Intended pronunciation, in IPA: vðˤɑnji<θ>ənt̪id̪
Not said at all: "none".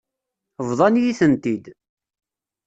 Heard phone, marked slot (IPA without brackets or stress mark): θ